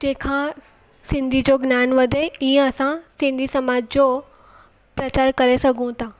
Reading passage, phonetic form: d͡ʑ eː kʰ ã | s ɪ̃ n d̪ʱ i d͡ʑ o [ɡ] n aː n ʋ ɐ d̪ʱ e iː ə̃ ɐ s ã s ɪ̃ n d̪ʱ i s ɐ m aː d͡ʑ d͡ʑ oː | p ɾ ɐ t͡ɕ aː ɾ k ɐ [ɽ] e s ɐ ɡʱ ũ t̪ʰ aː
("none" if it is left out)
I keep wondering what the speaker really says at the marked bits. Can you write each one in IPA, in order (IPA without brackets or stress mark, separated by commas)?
ɡ, ɾ